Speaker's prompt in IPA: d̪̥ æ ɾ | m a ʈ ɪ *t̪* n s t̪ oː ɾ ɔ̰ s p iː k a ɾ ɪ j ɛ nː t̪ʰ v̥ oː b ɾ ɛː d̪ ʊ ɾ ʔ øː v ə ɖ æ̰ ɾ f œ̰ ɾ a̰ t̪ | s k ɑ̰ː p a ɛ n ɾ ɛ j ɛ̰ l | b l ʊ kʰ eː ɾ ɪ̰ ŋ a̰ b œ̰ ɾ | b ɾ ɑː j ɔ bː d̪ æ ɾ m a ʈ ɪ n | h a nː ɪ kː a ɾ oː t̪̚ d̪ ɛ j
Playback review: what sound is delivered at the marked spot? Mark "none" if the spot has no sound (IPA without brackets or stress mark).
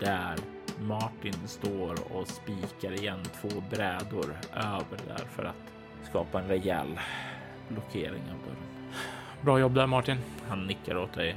none